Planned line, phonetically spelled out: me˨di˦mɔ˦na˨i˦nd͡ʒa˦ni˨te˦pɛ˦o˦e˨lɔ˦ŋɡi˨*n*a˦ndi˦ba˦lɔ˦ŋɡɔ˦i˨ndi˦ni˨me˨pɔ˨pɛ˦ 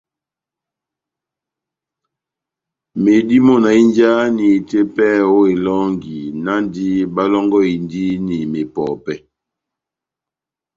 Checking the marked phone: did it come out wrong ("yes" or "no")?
no